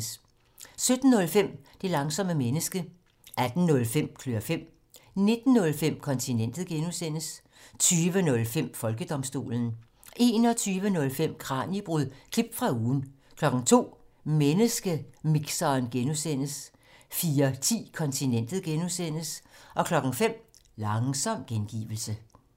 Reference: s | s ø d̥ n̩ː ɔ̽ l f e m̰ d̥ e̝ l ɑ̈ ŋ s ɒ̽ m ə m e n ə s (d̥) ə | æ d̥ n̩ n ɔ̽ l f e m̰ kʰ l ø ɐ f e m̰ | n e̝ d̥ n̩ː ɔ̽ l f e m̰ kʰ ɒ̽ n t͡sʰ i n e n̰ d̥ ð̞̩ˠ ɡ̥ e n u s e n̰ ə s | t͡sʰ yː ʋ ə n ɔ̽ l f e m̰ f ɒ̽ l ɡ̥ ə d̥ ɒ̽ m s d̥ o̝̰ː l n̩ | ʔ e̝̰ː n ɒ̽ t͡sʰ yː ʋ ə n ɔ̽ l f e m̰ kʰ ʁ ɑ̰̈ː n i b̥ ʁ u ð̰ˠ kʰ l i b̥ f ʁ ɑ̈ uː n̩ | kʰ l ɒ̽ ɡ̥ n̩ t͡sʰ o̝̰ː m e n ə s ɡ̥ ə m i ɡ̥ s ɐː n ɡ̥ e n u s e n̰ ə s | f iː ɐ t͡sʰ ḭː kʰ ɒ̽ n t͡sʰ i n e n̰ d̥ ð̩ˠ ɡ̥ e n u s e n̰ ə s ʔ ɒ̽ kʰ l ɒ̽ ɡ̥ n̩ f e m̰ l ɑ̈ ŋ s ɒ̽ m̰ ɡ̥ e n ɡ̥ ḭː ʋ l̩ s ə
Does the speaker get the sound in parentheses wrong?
yes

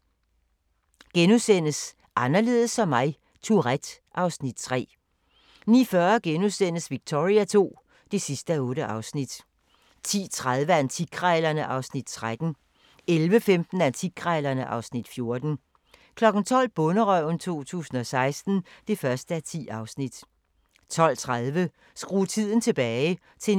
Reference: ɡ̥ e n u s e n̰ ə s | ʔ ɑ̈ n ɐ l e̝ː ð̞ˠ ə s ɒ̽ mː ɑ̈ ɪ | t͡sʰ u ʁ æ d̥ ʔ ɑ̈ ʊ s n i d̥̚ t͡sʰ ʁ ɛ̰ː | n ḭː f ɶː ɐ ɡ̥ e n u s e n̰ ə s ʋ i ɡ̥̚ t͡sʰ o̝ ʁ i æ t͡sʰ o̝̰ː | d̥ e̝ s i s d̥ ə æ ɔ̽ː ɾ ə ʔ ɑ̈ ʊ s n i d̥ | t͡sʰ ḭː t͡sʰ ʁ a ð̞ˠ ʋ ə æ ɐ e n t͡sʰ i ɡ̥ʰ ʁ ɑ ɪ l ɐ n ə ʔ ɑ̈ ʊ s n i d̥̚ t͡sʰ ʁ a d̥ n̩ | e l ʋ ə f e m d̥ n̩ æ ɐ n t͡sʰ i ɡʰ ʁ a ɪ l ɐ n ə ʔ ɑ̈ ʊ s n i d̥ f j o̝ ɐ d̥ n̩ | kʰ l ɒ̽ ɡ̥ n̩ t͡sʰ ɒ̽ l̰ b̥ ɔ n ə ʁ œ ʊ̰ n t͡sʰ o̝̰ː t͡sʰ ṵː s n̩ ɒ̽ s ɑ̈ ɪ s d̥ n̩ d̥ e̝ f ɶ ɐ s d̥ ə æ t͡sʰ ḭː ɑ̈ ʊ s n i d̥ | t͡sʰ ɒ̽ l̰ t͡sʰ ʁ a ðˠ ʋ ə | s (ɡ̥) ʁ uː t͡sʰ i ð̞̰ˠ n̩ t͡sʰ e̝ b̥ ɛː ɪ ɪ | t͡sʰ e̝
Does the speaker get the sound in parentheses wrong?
no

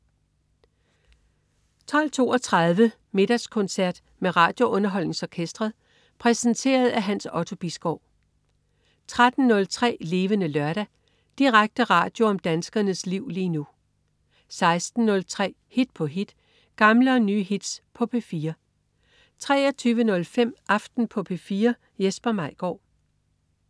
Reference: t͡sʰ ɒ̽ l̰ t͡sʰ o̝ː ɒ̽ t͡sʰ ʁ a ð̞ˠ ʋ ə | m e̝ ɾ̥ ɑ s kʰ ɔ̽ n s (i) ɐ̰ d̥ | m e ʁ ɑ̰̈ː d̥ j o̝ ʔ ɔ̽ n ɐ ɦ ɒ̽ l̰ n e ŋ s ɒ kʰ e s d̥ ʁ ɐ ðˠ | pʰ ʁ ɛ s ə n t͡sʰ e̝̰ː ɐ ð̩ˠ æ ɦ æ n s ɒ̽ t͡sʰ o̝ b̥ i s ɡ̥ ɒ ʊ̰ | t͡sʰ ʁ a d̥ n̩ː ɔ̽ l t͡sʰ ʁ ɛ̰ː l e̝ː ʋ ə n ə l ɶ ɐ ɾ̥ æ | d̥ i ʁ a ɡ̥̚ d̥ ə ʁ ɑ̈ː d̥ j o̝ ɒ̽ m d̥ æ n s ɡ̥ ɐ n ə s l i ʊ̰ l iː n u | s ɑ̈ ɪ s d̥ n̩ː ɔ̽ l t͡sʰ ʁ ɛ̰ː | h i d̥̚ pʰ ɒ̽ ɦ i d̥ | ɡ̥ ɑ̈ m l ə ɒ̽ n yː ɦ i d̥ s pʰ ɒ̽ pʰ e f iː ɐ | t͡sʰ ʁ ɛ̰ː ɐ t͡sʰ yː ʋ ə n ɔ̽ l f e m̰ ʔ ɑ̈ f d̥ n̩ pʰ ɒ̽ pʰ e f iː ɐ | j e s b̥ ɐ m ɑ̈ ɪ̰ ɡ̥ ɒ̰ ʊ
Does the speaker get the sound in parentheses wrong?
yes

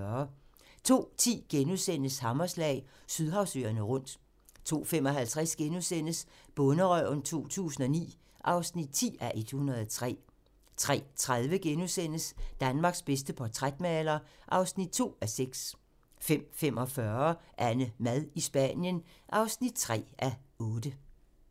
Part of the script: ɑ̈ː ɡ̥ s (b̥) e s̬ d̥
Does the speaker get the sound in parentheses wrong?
no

